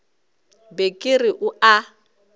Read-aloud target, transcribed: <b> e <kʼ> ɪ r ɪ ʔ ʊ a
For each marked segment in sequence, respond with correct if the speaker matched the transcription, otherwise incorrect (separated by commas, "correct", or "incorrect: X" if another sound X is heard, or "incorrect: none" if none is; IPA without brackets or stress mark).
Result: correct, correct